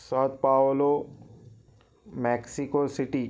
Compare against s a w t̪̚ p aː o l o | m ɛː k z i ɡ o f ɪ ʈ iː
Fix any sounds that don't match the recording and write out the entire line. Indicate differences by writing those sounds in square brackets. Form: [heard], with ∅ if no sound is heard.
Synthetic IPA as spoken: s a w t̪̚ p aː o l o | m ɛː k [s] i [k] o [s] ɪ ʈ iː